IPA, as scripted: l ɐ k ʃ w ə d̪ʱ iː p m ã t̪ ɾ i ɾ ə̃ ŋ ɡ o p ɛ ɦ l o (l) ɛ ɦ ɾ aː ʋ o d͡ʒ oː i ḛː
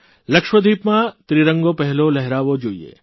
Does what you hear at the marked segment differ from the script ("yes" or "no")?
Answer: no